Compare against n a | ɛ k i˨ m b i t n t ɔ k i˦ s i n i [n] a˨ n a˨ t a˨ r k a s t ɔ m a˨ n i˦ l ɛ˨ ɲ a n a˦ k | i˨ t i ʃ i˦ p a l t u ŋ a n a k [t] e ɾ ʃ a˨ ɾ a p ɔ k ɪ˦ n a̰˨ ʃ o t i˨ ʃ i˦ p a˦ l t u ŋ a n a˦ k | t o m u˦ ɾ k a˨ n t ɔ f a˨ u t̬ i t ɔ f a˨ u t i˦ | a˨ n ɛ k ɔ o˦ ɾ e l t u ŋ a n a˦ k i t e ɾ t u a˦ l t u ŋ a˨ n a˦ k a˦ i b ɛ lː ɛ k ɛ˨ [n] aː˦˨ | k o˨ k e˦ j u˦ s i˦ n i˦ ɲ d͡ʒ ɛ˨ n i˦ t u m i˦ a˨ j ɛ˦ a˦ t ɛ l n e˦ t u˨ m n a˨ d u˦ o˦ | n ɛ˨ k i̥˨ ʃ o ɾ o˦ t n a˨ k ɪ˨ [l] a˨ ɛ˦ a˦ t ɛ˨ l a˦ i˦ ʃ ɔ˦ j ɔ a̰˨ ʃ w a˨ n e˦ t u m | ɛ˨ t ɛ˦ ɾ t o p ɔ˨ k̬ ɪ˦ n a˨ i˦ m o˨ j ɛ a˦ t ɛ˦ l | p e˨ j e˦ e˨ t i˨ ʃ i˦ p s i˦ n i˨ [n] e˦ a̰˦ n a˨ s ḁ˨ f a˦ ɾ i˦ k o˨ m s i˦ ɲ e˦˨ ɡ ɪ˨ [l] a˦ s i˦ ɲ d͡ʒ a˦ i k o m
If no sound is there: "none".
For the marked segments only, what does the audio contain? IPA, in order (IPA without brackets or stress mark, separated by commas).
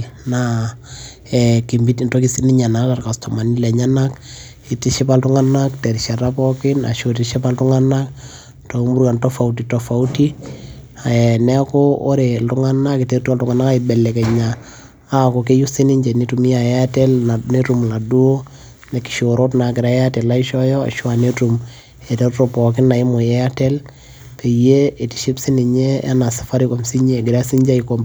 ɲ, t, ɲ, ɾ, ɲ, ɾ